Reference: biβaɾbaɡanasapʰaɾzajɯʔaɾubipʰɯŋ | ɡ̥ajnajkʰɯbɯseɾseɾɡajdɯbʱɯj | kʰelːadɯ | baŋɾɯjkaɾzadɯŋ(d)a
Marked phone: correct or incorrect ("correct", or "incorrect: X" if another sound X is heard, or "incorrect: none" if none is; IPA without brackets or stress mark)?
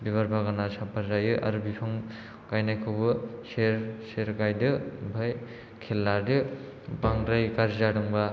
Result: incorrect: b